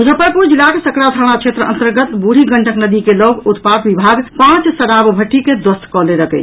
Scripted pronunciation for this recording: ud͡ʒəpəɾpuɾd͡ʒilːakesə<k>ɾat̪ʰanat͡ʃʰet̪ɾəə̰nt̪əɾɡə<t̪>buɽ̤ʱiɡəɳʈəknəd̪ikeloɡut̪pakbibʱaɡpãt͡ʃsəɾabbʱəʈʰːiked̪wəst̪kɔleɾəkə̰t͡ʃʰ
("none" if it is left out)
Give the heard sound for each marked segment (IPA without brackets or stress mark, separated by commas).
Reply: k, t̪